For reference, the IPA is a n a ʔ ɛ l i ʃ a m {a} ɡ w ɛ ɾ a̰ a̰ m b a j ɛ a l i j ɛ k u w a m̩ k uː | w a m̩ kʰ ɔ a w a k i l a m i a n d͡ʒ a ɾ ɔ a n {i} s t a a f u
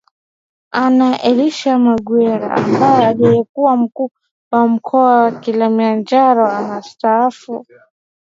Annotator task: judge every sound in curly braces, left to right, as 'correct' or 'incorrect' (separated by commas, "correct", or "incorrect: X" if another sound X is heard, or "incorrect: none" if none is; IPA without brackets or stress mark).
correct, incorrect: a